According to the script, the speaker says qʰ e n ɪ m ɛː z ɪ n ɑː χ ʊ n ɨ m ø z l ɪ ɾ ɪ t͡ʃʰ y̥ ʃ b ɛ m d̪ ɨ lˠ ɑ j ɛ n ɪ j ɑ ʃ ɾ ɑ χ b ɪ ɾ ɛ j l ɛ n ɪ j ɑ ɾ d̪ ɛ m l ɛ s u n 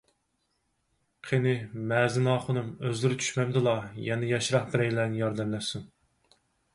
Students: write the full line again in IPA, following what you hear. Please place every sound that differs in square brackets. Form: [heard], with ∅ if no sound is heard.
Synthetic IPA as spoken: qʰ e n ɪ m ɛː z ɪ n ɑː χ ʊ n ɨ m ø z l ɪ ɾ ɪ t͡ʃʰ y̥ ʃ [m] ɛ m d̪ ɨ lˠ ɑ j ɛ n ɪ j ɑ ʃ ɾ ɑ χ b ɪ ɾ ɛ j l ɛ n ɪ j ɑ ɾ d̪ ɛ m l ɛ s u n